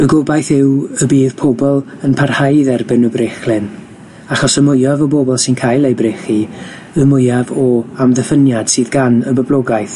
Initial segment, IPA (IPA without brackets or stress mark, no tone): ə